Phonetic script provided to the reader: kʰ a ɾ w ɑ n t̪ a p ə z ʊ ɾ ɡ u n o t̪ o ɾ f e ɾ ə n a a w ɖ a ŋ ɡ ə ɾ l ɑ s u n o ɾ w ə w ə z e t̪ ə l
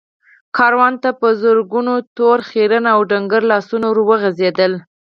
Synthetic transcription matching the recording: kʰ ɑ ɾ w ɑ n t̪ a p ə z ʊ ɾ ɡ u n o t̪ o ɾ x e ɾ ə n a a w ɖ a ŋ ɡ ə ɾ l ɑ s u n o ɾ w ə ɣ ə z e d̪ ə l